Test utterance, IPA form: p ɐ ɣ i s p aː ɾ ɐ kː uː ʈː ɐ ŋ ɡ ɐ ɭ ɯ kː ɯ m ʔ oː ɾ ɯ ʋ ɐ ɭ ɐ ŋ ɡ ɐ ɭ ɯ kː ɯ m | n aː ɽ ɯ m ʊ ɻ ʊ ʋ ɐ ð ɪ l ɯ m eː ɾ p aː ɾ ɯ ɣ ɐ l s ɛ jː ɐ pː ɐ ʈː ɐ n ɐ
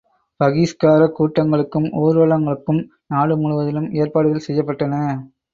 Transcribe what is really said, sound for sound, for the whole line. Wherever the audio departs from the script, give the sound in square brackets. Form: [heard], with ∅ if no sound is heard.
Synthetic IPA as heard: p ɐ ɣ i s [k] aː ɾ ɐ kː uː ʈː ɐ ŋ ɡ ɐ ɭ ɯ kː ɯ m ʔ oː ɾ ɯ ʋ ɐ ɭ ɐ ŋ ɡ ɐ ɭ ɯ kː ɯ m | n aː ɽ ɯ m ʊ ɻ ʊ ʋ ɐ ð ɪ l ɯ m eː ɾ p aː [ɽ] ɯ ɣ ɐ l s ɛ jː ɐ pː ɐ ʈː ɐ n ɐ